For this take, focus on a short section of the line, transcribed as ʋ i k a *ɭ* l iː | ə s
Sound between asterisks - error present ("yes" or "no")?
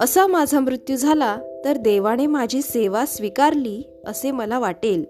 yes